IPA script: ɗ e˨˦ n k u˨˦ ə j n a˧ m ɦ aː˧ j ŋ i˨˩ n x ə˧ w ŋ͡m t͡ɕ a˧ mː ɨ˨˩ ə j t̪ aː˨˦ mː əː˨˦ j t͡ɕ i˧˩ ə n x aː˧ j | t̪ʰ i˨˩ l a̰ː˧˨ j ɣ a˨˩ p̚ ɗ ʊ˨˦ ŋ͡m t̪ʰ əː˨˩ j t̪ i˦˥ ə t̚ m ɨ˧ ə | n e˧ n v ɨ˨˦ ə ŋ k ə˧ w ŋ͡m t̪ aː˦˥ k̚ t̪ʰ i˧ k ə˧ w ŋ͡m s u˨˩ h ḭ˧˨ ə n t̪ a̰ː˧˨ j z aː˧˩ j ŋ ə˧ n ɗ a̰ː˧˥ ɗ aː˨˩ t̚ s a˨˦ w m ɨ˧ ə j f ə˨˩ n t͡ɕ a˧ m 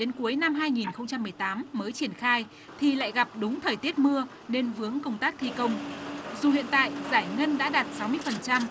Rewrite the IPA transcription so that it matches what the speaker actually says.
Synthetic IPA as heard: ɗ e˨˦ n k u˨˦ ə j n a˧ m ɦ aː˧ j ŋ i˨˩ n x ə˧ w ŋ͡m t͡ɕ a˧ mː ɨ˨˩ ə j t̪ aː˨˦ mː əː˨˦ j t͡ɕ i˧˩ ə n x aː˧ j | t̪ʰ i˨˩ l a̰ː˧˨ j ɣ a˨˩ p̚ ɗ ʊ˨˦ ŋ͡m t̪ʰ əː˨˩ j t̪ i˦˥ ə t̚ m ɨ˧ ə | n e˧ n v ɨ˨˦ ə ŋ k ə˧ w ŋ͡m t̪ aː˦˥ k̚ t̪ʰ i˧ k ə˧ w ŋ͡m z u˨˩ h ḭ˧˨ ə n t̪ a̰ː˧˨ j z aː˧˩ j ŋ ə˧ n ɗ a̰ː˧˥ ɗ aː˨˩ t̚ s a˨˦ w m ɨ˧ ə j f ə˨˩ n t͡ɕ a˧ m